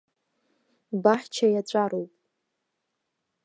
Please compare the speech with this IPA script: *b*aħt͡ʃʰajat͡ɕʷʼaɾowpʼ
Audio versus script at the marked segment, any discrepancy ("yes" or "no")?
no